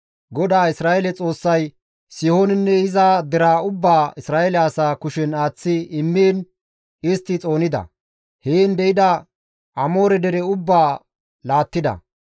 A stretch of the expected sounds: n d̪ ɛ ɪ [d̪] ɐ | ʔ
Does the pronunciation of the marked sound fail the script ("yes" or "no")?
no